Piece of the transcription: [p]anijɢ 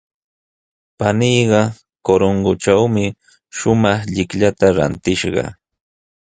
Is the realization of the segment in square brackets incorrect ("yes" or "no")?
no